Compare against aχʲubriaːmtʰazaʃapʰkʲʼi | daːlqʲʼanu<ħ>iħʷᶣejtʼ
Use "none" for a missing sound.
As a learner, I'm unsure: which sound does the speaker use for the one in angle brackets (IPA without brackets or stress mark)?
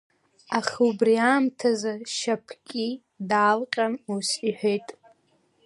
s